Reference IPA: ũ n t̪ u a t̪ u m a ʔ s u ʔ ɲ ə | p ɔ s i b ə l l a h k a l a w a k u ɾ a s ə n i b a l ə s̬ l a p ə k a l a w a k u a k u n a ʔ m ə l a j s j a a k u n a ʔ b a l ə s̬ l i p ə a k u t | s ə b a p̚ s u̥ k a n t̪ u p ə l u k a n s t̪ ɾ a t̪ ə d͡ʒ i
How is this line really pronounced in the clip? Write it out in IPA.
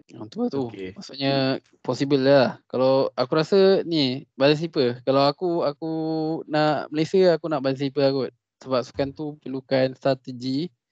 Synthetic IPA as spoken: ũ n t̪ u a t̪ u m a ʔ s u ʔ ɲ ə | p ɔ s i b ə l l a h k a l a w a k u ɾ a s ə n i b a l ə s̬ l i p ə k a l a w a k u a k u n a ʔ m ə l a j s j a a k u n a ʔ b a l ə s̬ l i p ə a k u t | s ə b a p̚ s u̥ k a n t̪ u p ə l u k a n s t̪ ɾ a t̪ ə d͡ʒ i